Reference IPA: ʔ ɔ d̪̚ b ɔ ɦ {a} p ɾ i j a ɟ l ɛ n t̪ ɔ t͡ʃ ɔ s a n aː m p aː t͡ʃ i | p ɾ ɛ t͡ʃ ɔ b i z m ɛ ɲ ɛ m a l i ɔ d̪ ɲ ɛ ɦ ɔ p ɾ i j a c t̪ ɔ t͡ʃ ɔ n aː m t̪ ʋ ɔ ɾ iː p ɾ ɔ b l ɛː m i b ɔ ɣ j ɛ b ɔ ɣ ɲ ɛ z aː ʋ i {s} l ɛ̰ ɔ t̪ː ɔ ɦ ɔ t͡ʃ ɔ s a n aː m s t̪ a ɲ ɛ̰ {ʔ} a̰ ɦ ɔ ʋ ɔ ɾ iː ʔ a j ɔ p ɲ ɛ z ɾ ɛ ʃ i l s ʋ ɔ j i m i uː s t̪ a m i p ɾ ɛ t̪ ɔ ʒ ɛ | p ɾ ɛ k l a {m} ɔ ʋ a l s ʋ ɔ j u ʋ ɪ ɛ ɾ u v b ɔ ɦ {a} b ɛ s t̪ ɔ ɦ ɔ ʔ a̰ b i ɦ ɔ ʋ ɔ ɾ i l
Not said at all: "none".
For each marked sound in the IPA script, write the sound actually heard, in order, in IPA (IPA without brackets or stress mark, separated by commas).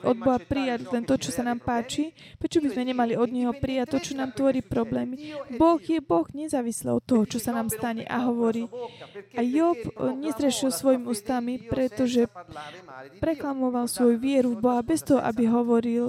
a, s, ʔ, m, a